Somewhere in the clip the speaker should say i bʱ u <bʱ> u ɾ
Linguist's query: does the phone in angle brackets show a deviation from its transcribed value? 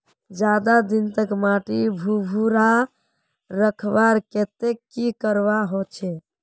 no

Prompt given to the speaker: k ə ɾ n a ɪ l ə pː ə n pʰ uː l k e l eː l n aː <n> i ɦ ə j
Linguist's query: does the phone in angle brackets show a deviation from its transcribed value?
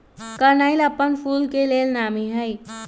yes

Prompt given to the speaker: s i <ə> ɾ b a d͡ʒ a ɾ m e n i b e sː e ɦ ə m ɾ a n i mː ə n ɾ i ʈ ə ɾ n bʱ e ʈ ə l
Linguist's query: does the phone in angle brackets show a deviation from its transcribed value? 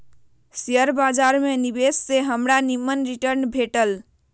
no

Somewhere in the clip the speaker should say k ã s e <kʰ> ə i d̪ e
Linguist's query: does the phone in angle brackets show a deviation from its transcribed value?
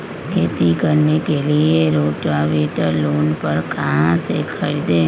no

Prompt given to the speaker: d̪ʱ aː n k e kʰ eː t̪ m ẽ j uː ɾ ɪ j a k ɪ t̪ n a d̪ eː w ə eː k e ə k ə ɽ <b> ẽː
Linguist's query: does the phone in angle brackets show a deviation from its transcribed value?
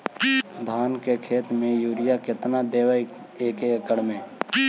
yes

